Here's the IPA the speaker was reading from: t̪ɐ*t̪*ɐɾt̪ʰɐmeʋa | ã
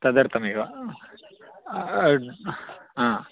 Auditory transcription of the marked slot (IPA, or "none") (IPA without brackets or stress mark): d̪